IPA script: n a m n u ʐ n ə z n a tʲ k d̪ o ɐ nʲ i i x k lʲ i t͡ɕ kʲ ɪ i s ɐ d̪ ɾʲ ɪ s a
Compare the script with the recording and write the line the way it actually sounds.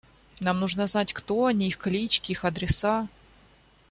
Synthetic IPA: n a m n u ʐ n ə z n a tʲ k t̪ o ɐ nʲ i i x k lʲ i t͡ɕ kʲ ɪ i x ɐ d̪ ɾʲ ɪ s a